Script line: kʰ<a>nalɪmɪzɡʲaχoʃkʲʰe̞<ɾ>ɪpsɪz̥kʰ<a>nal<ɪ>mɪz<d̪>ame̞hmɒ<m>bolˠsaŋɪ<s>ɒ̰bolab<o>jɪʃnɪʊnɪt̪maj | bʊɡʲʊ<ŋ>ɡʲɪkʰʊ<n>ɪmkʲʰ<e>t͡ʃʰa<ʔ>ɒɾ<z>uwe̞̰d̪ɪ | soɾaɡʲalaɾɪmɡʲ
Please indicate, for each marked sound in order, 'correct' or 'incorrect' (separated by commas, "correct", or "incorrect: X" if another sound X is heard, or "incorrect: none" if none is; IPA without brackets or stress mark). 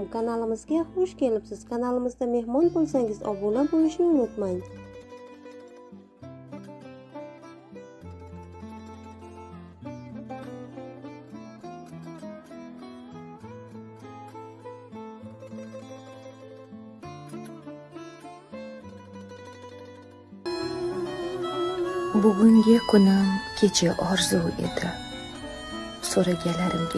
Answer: correct, incorrect: l, correct, correct, correct, incorrect: n, incorrect: z, correct, correct, correct, correct, correct, correct